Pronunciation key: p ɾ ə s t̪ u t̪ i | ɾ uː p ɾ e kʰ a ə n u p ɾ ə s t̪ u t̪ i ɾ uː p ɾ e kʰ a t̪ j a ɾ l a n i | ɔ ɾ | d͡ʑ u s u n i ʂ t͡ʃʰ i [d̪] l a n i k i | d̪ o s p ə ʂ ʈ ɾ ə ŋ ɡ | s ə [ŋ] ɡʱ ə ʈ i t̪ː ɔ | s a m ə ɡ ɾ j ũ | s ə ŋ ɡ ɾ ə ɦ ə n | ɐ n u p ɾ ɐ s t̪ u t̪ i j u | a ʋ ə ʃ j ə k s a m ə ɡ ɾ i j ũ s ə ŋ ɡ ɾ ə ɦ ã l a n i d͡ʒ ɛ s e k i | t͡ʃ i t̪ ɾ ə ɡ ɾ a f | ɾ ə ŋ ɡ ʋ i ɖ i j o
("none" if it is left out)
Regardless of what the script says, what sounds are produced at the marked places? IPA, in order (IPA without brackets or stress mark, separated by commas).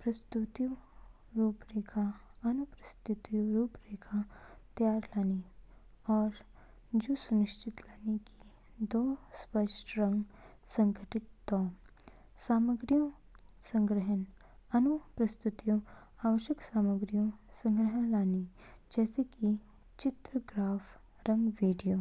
t̪, ŋ